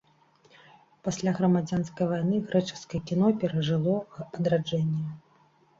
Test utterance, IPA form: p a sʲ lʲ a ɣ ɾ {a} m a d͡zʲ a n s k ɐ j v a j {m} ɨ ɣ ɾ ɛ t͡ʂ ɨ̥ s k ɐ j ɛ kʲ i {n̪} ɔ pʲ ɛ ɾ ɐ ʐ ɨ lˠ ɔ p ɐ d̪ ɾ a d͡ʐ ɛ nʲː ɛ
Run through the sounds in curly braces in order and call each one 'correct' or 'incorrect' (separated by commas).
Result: incorrect, incorrect, correct